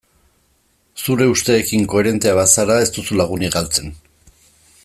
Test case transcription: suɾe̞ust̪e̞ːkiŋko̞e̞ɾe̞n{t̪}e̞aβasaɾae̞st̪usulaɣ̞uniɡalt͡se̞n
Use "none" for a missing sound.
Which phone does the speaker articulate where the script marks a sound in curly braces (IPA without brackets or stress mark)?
t̪